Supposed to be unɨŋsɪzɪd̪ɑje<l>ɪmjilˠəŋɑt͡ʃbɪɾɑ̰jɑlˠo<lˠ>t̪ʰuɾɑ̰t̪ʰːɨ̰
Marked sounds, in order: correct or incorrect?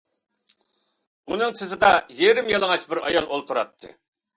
incorrect: ɾ, correct

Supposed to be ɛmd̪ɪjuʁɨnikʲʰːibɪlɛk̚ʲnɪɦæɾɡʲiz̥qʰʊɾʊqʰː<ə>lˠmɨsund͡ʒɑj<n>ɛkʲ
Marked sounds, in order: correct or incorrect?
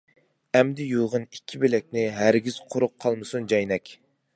incorrect: ɑ, correct

